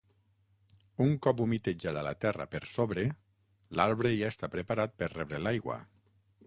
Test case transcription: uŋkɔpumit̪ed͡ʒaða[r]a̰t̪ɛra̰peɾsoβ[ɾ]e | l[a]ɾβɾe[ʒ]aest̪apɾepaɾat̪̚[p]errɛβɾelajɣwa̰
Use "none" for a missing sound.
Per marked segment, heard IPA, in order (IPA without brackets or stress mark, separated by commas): l, ɾ, a, ʒ, p